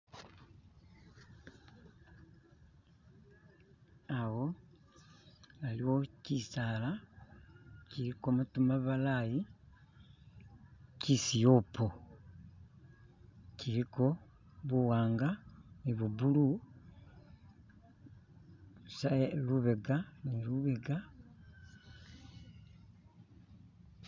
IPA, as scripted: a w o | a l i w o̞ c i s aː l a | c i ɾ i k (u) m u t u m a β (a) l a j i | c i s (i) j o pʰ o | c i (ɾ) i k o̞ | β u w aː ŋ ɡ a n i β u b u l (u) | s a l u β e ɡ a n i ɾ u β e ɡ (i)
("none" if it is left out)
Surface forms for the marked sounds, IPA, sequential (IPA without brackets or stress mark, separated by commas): o, a, i, ɾ, u, a